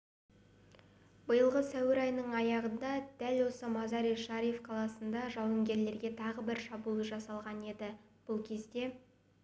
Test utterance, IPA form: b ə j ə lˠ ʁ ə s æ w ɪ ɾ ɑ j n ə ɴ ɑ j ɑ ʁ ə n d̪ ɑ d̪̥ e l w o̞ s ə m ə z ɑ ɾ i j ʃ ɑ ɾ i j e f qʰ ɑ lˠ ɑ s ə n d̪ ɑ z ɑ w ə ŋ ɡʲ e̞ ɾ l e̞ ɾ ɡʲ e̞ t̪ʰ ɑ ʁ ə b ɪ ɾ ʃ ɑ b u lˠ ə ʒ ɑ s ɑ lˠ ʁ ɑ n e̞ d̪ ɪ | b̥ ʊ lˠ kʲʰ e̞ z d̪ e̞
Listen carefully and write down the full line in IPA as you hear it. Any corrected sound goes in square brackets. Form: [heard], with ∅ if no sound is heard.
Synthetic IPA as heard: b ə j ə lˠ ʁ ə s æ w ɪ ɾ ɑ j n ə ɴ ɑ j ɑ ʁ ə n d̪ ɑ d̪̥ [æ] l w o̞ s ə m [ɑ] z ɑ ɾ i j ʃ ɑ ɾ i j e f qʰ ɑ lˠ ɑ s ə n d̪ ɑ [ʒ] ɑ w ə ŋ ɡʲ e̞ ɾ l e̞ ɾ ɡʲ e̞ t̪ʰ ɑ ʁ ə b ɪ ɾ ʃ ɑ b u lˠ ə ʒ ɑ s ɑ lˠ ʁ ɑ n e̞ d̪ ɪ | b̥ ʊ lˠ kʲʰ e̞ z d̪ e̞